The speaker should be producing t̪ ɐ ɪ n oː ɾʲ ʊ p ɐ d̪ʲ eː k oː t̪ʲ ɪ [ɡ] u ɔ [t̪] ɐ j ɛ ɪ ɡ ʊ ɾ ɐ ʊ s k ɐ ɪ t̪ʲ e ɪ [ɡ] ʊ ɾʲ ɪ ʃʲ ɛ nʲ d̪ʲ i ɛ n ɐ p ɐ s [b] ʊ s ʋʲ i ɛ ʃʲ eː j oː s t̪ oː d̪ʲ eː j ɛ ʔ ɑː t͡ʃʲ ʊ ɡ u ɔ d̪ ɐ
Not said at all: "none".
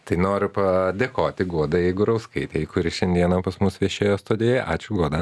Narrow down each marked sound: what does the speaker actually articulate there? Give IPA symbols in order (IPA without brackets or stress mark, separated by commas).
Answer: ɡ, d̪, k, m